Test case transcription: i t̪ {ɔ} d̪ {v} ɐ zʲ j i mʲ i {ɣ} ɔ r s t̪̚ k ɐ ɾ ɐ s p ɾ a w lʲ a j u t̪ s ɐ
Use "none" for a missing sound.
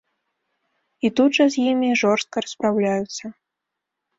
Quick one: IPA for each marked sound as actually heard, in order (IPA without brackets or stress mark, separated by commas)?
u, ʐ, ʐ